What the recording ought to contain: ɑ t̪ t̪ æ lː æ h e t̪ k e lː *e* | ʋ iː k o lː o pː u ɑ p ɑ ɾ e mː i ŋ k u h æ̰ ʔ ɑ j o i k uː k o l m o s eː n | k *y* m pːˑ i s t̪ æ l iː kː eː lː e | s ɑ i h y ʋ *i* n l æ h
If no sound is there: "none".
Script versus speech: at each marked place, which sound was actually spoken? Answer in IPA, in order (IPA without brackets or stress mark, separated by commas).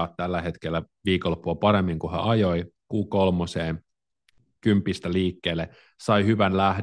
æ, y, æ